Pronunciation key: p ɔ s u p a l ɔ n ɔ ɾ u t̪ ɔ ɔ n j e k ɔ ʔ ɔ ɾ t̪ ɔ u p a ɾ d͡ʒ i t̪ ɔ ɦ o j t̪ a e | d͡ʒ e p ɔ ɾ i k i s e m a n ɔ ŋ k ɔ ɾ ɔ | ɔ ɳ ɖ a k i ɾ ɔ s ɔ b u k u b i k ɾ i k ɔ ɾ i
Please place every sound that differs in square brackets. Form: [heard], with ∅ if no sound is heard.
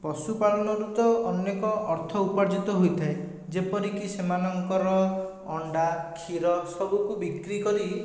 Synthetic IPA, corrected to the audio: p ɔ s u p a l ɔ n ɔ ɾ u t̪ ɔ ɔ n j e k ɔ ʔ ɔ ɾ [t̪ʰ] ɔ u p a ɾ d͡ʒ i t̪ ɔ ɦ o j [t̪ʰ] a e | d͡ʒ e p ɔ ɾ i k i s e m a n ɔ ŋ k ɔ ɾ ɔ | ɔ ɳ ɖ a [kʰ] i ɾ ɔ s ɔ b u k u b i k ɾ i k ɔ ɾ i